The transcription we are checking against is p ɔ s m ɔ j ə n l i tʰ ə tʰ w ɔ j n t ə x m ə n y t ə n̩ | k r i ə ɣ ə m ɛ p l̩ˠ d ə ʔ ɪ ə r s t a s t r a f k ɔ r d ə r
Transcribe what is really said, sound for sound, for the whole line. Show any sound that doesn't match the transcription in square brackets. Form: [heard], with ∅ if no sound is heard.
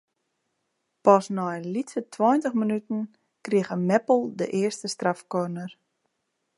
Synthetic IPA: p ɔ s [n] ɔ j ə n l i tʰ ə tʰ w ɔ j n t ə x m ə n y t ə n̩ | k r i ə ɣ ə m ɛ p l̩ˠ d ə ʔ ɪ ə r s t [ə] s t r a f k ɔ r [n] ə r